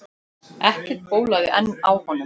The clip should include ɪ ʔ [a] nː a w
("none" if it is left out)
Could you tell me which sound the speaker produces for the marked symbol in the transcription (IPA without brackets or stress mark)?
ɛ